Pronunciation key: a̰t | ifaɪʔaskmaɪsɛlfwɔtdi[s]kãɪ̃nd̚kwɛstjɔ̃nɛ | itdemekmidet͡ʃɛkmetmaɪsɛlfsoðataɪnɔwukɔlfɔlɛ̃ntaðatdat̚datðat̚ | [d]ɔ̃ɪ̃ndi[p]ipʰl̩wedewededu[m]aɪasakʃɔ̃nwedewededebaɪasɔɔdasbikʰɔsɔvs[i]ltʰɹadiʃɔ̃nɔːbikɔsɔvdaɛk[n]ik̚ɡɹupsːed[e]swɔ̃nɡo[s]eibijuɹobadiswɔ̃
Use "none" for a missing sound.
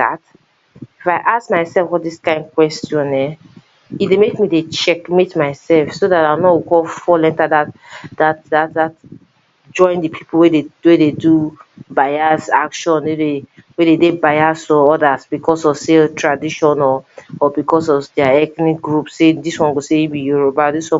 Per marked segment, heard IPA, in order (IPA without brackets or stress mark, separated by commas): s, d͡ʒ, pʰ, b, e, n, i, s